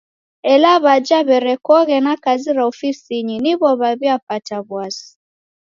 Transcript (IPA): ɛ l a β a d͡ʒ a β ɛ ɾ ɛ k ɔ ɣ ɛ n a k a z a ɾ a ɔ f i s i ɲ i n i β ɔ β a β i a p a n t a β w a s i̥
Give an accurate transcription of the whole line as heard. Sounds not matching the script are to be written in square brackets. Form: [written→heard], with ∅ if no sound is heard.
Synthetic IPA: ɛ l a β a d͡ʒ a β ɛ ɾ ɛ k ɔ ɣ ɛ n a k a z [a→i] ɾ a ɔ f i s i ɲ i n i β ɔ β a β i a p a [n→∅] t a β w a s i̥